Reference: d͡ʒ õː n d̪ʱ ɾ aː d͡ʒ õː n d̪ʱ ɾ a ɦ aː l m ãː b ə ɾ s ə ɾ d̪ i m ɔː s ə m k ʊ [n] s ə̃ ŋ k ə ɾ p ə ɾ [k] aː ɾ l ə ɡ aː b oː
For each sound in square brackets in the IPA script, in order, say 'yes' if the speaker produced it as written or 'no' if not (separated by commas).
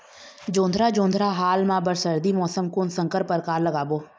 yes, yes